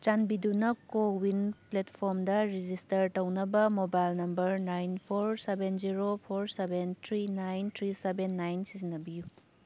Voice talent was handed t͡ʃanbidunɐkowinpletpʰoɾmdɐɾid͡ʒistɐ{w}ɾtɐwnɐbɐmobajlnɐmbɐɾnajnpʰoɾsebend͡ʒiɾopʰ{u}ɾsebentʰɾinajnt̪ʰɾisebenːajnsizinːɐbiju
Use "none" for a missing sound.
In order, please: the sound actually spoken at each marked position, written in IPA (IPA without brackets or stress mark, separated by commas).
none, o